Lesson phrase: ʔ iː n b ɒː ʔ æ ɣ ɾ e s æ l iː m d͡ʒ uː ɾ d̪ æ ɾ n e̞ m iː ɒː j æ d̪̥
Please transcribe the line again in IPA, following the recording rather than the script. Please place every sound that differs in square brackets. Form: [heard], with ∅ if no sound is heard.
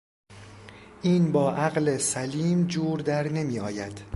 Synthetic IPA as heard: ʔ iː n b ɒː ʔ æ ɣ [l] e s æ l iː m d͡ʒ uː ɾ d̪ æ ɾ n e̞ m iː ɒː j æ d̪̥